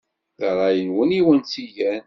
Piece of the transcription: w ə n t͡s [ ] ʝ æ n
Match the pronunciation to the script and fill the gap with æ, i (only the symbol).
i